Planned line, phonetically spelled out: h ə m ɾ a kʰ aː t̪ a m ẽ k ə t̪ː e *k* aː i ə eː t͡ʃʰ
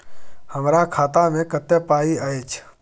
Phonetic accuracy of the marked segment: incorrect: p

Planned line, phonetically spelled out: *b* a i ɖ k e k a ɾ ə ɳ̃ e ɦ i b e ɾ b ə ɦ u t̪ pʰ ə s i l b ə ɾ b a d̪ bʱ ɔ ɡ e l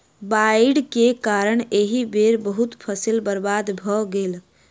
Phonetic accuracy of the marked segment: correct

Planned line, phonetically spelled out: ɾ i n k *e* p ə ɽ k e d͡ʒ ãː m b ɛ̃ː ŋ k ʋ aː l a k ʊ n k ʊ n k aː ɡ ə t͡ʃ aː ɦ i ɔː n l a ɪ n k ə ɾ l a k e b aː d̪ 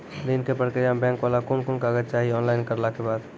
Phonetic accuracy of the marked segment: correct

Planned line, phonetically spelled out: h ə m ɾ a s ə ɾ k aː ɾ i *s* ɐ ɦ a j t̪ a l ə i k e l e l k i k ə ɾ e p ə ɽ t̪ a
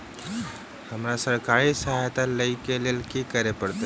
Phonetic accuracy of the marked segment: correct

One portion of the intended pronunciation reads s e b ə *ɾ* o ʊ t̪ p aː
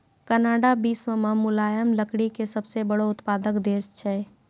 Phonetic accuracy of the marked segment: incorrect: ɽ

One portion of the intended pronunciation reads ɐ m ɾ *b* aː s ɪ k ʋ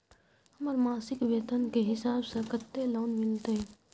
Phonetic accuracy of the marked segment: incorrect: m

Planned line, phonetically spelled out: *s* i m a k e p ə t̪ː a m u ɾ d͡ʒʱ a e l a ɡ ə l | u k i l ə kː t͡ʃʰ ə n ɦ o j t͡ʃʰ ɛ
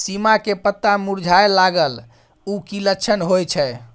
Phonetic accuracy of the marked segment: correct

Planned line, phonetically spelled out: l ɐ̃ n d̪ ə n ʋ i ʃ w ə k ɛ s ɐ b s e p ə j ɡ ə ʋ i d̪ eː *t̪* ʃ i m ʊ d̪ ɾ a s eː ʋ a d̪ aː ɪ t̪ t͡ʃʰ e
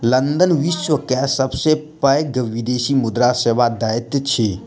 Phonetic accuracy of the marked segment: incorrect: none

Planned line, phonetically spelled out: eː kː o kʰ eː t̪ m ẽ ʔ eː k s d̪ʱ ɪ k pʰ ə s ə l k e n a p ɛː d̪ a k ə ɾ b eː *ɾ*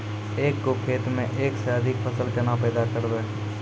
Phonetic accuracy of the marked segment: incorrect: none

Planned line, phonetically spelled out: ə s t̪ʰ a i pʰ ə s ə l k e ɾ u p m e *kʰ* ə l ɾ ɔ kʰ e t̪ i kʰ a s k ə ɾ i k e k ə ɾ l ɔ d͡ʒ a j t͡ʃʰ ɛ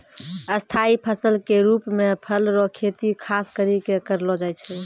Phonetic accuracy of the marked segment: incorrect: pʰ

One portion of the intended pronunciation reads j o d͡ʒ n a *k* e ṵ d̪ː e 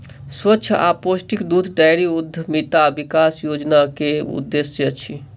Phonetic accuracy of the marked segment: correct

